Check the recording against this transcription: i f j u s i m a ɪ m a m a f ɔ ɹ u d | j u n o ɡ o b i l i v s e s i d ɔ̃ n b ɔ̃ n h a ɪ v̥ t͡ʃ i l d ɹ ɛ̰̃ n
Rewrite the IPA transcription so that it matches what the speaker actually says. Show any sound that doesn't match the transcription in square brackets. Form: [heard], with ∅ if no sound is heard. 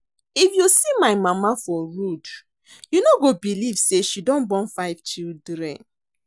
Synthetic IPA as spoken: i f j u s i m a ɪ m a m a f ɔ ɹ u d | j u n o ɡ o b i l i v s e [ʃ] i d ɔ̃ n b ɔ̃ n [f] a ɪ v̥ t͡ʃ i l d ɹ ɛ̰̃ n